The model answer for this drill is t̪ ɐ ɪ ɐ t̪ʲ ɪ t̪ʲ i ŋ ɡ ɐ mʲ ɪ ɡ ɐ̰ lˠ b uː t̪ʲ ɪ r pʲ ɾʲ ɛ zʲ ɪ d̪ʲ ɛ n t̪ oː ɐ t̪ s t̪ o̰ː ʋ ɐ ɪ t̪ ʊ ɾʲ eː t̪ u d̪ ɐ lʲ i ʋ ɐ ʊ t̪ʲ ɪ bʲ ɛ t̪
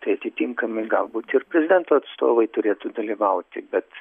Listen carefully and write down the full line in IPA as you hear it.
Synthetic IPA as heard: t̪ ɐ ɪ ɐ t̪ʲ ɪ t̪ʲ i ŋ k ɐ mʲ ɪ ɡ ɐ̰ lˠ b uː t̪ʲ ɪ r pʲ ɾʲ ɛ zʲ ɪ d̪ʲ ɛ n t̪ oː ɐ t̪ s t̪ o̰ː ʋ ɐ ɪ t̪ ʊ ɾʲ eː t̪ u d̪ ɐ lʲ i ʋ ɐ ʊ t̪ʲ ɪ bʲ ɛ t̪

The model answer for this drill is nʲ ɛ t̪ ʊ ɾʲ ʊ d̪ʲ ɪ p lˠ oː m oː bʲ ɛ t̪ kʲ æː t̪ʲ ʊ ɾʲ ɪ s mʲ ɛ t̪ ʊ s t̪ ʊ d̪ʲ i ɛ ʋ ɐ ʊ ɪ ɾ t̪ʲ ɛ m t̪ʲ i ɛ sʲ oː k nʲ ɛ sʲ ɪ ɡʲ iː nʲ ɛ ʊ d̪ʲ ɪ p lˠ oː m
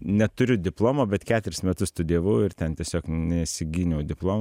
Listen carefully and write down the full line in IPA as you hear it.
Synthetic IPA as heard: nʲ ɛ t̪ ʊ ɾʲ ʊ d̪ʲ ɪ p lˠ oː m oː bʲ ɛ t̪ kʲ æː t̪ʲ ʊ ɾʲ ɪ s mʲ ɛ t̪ ʊ s t̪ ʊ d̪ʲ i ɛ ʋ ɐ ʊ ɪ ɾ t̪ʲ ɛ n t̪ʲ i ɛ sʲ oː k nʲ ɛ sʲ ɪ ɡʲ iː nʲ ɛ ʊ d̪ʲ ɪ p lˠ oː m

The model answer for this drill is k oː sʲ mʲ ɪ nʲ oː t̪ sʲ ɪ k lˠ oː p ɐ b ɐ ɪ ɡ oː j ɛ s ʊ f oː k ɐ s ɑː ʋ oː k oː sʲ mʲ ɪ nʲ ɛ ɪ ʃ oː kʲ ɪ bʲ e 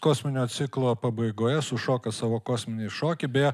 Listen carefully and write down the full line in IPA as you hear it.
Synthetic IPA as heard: k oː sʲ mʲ ɪ nʲ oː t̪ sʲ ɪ k lˠ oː p ɐ b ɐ ɪ ɡ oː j ɛ s ʊ ʃ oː k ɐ s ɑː ʋ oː k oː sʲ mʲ ɪ nʲ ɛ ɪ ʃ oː kʲ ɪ bʲ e

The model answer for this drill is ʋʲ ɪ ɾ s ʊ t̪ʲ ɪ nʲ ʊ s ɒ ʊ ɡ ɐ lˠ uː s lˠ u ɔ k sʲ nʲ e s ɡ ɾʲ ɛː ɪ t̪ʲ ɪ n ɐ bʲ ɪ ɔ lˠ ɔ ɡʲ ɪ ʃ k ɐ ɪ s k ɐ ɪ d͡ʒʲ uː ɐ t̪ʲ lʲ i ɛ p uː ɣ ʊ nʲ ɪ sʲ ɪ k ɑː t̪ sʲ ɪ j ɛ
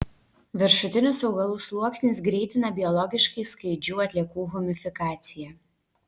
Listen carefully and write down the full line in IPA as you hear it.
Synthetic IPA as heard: ʋʲ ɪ ɾ ʃ ʊ t̪ʲ ɪ nʲ ʊ s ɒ ʊ ɡ ɐ lˠ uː s lˠ u ɔ k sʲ nʲ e s ɡ ɾʲ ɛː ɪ t̪ʲ ɪ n ɐ bʲ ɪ ɔ lˠ ɔ ɡʲ ɪ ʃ k ɐ ɪ s k ɐ ɪ d͡ʒʲ uː ɐ t̪ʲ lʲ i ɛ k uː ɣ ʊ mʲ ɪ fʲ ɪ k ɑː t̪ sʲ ɪ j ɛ

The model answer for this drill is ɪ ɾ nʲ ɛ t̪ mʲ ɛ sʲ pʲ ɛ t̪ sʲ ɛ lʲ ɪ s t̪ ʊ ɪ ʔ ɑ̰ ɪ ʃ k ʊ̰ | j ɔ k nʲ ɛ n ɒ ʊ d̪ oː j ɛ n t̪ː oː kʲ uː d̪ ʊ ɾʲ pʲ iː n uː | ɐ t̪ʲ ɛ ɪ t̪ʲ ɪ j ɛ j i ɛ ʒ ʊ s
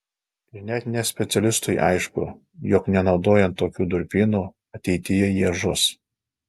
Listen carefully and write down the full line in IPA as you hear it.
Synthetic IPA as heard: ɪ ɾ nʲ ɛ t̪ nʲ ɛ sʲ pʲ ɛ t̪ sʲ ɛ lʲ ɪ s t̪ ʊ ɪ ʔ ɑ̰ ɪ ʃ k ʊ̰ | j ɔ k nʲ ɛ n ɒ ʊ d̪ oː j ɛ n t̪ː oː kʲ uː d̪ ʊ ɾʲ pʲ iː n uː | ɐ t̪ʲ ɛ ɪ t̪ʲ ɪ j ɛ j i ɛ ʒ ʊ s

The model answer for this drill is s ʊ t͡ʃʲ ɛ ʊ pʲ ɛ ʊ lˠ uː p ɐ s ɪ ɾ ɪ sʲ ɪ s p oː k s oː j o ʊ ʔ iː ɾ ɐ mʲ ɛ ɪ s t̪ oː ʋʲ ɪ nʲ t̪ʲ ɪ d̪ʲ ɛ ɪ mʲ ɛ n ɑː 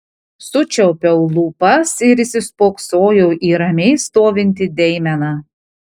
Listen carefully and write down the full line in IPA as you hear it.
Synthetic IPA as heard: s ʊ t͡ʃʲ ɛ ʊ pʲ ɛ ʊ lˠ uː p ɐ s ɪ ɾ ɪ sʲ ɪ s p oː k s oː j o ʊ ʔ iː ɾ ɐ mʲ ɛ ɪ s t̪ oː ʋʲ ɪ nʲ t̪ʲ ɪ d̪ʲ ɛ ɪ mʲ ɛ n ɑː

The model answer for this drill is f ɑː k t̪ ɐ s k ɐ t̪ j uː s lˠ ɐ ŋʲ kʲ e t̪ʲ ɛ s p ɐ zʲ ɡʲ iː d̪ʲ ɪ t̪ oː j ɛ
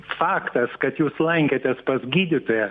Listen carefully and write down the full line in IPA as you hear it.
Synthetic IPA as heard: f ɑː k t̪ ɐ s k ɐ t̪ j uː s lˠ ɐ ŋʲ kʲ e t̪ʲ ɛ s p ɐ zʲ ɡʲ iː d̪ʲ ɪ t̪ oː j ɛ

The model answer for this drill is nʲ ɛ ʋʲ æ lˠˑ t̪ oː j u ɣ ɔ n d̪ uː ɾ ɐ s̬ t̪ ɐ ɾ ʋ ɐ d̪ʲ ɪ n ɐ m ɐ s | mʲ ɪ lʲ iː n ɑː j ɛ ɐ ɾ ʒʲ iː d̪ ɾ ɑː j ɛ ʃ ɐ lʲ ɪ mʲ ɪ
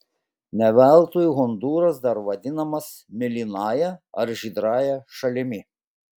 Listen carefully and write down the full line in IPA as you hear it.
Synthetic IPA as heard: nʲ ɛ ʋʲ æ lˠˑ t̪ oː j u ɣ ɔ n d̪ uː ɾ ɐ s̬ d̪ ɐ ɾ ʋ ɐ d̪ʲ ɪ n ɐ m ɐ s | mʲ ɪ lʲ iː n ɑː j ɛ ɐ ɾ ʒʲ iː d̪ ɾ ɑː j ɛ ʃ ɐ lʲ ɪ mʲ ɪ

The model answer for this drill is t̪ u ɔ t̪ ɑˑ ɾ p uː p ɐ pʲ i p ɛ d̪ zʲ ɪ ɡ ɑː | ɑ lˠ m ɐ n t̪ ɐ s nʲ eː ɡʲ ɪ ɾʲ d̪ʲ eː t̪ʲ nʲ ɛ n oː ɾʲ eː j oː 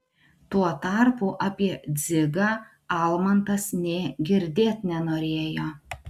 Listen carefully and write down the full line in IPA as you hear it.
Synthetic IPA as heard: t̪ u ɔ t̪ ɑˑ ɾ p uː ʔ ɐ pʲ i ɛ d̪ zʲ ɪ ɡ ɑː | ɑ lˠ m ɐ n t̪ ɐ s nʲ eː ɡʲ ɪ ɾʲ d̪ʲ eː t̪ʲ nʲ ɛ n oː ɾʲ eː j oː

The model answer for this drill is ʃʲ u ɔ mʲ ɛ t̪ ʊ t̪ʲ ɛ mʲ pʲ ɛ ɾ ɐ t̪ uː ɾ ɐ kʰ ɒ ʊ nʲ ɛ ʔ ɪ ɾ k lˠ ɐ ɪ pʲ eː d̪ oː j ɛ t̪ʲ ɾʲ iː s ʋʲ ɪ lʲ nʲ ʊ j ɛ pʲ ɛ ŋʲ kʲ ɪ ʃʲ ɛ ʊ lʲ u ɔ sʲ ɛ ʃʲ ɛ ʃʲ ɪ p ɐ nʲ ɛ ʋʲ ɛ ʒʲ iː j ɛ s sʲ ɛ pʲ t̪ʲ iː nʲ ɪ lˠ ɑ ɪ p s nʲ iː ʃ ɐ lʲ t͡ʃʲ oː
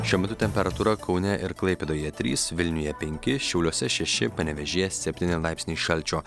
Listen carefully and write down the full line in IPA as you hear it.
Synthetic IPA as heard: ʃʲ u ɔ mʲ ɛ t̪ ʊ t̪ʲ ɛ mʲ pʲ ɛ ɾ ɐ t̪ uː ɾ ɐ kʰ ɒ ʊ nʲ ɛ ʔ ɪ ɾ k lˠ ɐ ɪ pʲ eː d̪ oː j ɛ t̪ʲ ɾʲ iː s ʋʲ ɪ lʲ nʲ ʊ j ɛ pʲ ɛ ŋʲ kʲ ɪ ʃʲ ɛ ʊ lʲ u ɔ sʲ ɛ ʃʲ ɛ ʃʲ ɪ p ɐ nʲ ɛ ʋʲ ɛ ʒʲ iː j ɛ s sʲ ɛ pʲ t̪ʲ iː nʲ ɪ lˠ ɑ ɪ p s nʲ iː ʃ ɐ lʲ t͡ʃʲ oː

